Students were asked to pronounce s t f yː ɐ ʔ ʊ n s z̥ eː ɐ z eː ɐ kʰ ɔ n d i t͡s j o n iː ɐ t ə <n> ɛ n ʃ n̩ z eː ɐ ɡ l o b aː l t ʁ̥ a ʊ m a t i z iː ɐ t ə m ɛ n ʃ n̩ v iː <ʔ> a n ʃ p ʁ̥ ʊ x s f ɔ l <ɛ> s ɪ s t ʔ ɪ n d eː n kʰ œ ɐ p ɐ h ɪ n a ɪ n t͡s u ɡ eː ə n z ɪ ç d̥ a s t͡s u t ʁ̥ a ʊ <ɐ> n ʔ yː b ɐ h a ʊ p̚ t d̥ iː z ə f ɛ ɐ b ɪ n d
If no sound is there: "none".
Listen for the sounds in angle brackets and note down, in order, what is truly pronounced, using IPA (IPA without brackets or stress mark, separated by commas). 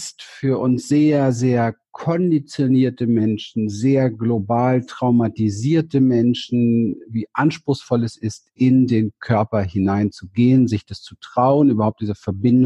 m, ʔ, ɛ, ə